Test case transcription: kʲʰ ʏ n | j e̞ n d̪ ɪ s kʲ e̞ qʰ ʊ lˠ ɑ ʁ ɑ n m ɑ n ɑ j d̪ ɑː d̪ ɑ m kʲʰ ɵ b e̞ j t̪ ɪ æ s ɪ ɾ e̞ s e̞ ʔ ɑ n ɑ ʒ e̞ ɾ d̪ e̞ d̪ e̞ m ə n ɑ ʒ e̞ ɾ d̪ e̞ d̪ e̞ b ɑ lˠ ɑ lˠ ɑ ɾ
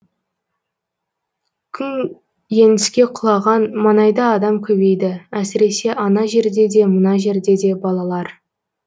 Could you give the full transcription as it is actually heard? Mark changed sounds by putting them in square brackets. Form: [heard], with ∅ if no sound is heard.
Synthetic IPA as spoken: kʲʰ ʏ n | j e̞ n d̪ ɪ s kʲ e̞ qʰ ʊ lˠ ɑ ʁ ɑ n m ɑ n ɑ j d̪ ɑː d̪ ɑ m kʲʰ ɵ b e̞ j [d̪] ɪ æ s ɪ ɾ e̞ s e̞ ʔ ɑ n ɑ ʒ e̞ ɾ d̪ e̞ d̪ e̞ m ə n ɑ ʒ e̞ ɾ d̪ e̞ d̪ e̞ b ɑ lˠ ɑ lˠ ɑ ɾ